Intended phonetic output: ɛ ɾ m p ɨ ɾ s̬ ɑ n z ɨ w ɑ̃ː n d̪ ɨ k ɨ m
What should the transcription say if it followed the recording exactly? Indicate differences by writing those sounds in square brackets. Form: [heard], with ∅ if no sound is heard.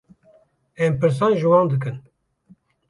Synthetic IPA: ɛ [∅] m p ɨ ɾ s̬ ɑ n [ʒ] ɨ w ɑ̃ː n d̪ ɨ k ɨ [n]